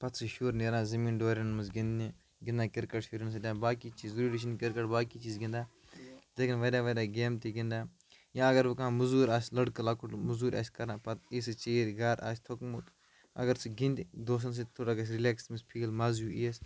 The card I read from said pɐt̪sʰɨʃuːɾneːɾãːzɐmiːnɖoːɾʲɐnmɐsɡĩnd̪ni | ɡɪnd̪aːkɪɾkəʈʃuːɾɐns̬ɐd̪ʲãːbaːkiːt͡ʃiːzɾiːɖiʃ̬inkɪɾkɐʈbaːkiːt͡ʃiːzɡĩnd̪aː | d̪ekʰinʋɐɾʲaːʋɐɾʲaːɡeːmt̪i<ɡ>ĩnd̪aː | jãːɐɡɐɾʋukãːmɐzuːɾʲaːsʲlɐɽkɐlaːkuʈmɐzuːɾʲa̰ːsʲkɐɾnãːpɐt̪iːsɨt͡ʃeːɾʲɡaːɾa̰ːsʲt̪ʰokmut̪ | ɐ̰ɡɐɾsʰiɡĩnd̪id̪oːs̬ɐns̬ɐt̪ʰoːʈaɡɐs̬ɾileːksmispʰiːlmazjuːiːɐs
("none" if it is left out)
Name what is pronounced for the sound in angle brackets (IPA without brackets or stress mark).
ɡ